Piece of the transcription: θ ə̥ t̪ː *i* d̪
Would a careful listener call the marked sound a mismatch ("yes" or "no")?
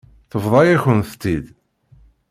no